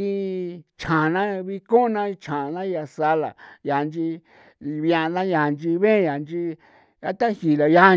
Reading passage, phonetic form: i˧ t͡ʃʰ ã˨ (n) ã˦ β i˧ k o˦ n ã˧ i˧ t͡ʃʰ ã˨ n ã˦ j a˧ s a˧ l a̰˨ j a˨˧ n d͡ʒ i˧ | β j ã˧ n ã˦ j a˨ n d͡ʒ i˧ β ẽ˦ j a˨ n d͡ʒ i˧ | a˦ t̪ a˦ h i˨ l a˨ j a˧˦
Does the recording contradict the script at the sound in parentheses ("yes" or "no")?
no